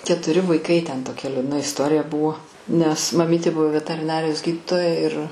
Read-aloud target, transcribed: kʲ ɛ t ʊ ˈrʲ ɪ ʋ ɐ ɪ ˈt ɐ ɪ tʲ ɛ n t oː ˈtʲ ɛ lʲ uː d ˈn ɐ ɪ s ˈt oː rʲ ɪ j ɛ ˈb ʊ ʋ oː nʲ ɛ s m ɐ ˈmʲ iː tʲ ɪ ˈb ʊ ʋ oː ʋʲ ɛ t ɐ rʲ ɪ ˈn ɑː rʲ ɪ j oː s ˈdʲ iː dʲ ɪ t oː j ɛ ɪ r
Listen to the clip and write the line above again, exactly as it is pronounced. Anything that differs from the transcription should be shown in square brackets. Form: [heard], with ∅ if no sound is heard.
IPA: kʲ ɛ t ʊ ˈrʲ ɪ ʋ ɐ ɪ [ˈk] ɐ ɪ tʲ ɛ n t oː [ˈkʲ] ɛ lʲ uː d ˈn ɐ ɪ s ˈt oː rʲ ɪ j ɛ ˈb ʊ ʋ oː nʲ ɛ s m ɐ ˈmʲ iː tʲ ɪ ˈb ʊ ʋ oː ʋʲ ɛ t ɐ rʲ ɪ ˈn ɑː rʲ ɪ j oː s [ˈɡʲ] iː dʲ ɪ t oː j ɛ ɪ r